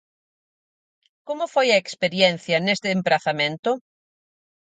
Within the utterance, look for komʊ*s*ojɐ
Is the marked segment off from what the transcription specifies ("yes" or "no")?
yes